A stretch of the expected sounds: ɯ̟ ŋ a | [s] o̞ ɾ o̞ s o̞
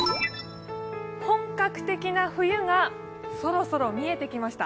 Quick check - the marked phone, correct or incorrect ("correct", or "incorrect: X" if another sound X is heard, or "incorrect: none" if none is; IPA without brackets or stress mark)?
correct